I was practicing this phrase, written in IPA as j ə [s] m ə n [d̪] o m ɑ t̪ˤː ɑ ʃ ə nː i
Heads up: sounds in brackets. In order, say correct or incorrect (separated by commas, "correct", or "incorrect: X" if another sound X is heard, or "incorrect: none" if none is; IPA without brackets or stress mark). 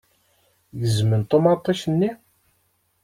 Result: incorrect: z, incorrect: t̪